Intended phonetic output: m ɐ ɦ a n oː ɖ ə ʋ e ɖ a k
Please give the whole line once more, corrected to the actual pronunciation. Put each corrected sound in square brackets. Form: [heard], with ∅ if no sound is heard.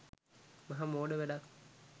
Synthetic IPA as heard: m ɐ ɦ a [m] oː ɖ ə ʋ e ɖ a k